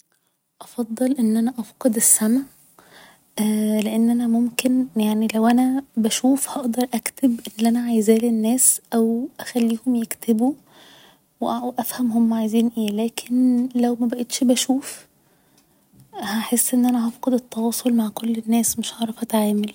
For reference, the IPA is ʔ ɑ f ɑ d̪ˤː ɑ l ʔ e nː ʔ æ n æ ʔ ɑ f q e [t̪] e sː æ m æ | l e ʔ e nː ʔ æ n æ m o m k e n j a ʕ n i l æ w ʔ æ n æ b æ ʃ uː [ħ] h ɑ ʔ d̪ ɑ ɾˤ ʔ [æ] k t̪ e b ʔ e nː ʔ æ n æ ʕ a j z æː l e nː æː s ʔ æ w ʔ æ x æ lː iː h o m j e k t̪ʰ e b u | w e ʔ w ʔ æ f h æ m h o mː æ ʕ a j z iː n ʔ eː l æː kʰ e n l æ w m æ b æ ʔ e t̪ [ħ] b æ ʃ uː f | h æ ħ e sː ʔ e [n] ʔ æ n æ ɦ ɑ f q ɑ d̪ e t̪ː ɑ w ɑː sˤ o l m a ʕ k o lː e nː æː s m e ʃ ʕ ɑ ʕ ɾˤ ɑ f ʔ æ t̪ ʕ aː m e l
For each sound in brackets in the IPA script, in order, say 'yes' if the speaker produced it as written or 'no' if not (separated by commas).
no, no, yes, no, no